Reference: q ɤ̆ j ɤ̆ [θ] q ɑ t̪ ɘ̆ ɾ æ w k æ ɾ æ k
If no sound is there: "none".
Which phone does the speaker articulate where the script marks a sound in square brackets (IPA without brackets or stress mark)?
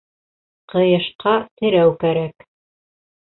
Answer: ʃ